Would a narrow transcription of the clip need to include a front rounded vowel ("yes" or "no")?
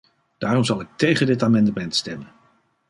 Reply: no